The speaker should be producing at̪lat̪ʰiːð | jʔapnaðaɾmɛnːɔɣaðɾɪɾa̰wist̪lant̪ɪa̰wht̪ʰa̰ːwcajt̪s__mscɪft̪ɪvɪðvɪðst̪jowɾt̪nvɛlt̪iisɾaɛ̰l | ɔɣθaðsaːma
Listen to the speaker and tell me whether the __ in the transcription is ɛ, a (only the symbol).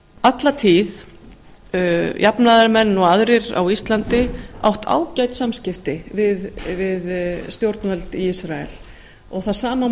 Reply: a